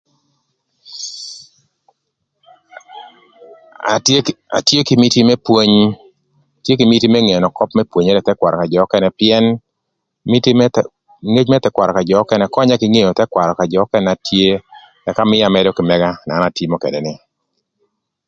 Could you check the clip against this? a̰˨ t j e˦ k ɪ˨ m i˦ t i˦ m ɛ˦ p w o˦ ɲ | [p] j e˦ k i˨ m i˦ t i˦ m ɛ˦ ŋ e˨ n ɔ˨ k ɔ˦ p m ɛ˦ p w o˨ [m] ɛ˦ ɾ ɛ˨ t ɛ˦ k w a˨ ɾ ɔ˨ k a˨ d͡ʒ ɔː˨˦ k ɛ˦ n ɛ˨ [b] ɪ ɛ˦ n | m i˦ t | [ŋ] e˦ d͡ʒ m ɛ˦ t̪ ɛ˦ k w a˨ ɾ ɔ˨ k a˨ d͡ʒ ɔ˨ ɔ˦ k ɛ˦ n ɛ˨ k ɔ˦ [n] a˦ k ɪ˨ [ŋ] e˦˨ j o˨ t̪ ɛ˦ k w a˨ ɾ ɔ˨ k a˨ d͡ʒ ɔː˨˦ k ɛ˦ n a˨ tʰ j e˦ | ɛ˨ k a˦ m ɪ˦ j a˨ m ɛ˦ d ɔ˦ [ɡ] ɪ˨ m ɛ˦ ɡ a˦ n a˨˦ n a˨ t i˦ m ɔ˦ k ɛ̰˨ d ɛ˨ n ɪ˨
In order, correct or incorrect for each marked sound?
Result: incorrect, incorrect, incorrect, correct, incorrect, correct, incorrect

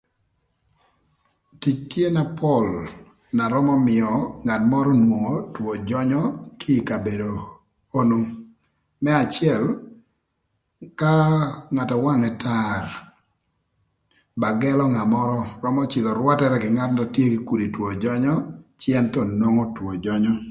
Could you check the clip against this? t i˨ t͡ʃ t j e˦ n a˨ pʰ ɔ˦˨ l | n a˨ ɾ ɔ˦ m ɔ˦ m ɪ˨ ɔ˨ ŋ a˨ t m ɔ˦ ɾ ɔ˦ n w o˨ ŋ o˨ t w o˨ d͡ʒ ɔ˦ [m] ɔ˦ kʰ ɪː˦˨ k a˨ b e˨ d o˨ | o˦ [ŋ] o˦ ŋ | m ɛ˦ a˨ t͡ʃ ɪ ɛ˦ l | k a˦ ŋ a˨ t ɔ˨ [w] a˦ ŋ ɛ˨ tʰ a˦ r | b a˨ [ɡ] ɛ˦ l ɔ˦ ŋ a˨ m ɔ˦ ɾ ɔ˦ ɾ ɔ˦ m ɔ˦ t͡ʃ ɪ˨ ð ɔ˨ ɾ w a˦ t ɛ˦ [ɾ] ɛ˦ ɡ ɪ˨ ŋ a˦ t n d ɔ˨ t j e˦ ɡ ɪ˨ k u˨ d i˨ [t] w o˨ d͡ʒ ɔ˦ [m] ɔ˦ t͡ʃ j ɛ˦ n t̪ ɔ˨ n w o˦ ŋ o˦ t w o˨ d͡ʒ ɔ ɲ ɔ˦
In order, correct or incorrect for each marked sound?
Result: incorrect, incorrect, correct, correct, correct, correct, incorrect

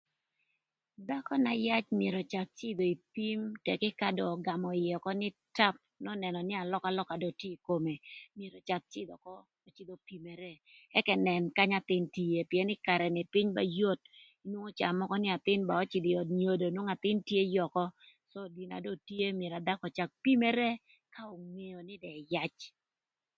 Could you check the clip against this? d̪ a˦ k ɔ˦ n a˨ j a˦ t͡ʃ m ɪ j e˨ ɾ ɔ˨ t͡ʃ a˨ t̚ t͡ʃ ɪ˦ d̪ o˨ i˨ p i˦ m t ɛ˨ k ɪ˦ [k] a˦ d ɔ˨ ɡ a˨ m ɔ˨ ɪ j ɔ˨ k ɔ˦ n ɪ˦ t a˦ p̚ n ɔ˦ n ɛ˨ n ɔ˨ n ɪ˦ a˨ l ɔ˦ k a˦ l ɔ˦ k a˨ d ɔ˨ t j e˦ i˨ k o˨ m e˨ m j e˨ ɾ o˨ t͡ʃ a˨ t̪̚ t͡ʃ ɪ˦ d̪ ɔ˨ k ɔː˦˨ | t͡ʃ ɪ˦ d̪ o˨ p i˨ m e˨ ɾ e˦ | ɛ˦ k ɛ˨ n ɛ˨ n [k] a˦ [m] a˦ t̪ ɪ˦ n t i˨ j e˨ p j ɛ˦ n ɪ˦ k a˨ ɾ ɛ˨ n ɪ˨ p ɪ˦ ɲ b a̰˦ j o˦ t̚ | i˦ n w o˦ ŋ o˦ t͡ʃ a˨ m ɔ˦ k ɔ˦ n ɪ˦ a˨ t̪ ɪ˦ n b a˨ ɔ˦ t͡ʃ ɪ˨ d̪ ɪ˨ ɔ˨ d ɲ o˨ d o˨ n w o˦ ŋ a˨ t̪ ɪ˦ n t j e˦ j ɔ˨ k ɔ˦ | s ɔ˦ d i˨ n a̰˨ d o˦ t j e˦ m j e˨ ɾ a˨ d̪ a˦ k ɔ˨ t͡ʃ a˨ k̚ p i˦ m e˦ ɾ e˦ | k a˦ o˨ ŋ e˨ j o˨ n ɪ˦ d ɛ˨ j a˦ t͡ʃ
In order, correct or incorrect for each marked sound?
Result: correct, correct, incorrect

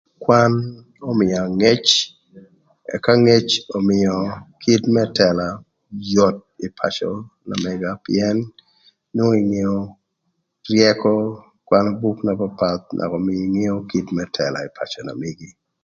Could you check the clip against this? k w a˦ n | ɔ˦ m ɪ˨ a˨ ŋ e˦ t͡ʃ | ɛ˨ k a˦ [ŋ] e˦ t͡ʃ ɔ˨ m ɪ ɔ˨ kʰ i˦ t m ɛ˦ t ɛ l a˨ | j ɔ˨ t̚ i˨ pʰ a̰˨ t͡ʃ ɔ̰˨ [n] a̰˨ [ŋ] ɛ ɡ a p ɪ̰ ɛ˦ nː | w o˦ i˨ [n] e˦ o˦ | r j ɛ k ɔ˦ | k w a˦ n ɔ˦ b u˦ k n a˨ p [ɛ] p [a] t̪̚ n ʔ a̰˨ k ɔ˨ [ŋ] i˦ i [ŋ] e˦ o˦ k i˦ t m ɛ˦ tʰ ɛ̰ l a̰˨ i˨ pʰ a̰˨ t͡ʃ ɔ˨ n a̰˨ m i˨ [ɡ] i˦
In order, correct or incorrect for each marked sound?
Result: correct, correct, incorrect, incorrect, incorrect, correct, incorrect, correct, correct

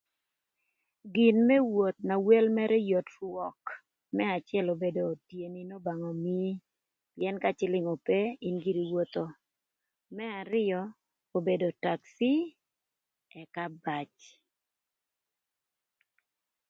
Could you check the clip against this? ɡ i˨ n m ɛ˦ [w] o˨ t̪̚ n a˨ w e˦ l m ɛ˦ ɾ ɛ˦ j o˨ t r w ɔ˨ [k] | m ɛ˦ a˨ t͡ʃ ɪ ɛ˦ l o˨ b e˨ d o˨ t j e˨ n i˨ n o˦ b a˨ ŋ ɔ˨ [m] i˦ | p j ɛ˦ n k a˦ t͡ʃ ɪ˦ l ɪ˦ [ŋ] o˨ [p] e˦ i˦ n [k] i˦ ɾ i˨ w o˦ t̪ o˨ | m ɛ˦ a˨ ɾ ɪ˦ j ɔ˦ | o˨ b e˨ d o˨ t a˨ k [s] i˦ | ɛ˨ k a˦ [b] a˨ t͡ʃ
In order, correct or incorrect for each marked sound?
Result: correct, correct, correct, correct, correct, incorrect, correct, correct

